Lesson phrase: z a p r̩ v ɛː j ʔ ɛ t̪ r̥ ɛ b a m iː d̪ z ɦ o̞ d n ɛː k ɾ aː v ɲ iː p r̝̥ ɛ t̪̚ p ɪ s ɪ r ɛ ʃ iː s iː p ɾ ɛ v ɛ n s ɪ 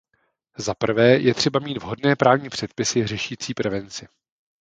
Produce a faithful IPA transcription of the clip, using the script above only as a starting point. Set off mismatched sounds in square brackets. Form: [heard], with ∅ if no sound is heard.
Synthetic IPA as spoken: z a p r̩ v ɛː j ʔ ɛ t̪ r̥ ɛ b a m iː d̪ [v] ɦ o̞ d n ɛː [p] ɾ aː v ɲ iː p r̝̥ ɛ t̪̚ p ɪ s ɪ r ɛ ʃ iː [t͡s] iː p ɾ ɛ v ɛ n [t͡s] ɪ